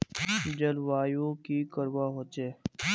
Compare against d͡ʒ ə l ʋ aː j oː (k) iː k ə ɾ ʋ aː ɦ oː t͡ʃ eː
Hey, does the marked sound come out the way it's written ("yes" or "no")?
yes